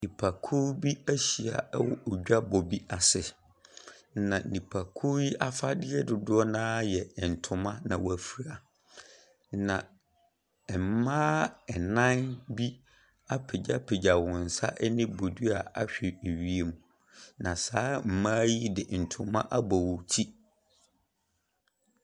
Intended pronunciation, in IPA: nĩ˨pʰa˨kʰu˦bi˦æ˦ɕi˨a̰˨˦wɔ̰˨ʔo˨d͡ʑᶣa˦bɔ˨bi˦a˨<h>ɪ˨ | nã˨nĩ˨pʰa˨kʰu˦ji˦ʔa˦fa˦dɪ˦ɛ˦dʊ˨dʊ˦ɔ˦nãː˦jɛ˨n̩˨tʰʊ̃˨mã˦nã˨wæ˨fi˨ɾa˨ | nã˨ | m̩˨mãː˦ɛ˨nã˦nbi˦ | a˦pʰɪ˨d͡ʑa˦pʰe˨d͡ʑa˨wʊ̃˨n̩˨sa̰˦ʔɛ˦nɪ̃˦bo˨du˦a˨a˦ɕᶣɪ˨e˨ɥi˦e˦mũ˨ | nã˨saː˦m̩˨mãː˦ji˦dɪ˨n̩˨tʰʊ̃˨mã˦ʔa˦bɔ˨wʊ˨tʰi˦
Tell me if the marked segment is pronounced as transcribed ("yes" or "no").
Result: no